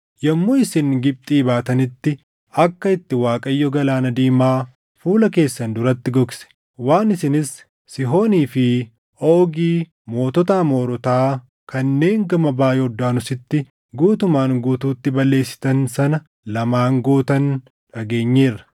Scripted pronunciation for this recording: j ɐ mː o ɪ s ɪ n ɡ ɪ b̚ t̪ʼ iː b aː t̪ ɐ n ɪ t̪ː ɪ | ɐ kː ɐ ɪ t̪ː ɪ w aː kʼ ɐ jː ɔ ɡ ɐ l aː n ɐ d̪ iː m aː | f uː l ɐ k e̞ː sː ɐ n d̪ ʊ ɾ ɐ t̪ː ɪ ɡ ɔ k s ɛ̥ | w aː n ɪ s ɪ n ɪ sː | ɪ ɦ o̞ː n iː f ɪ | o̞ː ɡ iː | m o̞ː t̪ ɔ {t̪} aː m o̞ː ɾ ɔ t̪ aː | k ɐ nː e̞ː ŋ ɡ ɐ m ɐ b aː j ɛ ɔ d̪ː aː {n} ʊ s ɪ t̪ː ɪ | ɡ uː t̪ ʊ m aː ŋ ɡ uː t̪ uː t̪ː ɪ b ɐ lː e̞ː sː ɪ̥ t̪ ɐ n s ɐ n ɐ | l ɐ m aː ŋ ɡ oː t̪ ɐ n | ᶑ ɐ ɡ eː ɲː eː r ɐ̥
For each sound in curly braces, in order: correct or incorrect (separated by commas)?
correct, correct